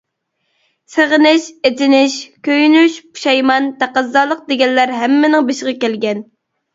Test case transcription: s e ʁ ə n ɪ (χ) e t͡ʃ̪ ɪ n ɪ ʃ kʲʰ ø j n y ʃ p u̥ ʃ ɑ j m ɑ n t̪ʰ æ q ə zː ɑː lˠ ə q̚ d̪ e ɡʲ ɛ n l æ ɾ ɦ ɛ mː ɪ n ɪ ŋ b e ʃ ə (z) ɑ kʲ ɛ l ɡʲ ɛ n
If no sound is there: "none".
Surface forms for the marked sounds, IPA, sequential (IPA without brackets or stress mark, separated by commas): ʃ, ʁ